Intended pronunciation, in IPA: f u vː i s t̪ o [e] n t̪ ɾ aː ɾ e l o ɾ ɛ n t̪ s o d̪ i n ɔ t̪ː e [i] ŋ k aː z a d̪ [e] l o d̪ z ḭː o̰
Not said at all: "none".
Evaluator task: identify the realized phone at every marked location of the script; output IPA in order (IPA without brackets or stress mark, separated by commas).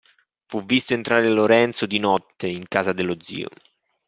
e, i, e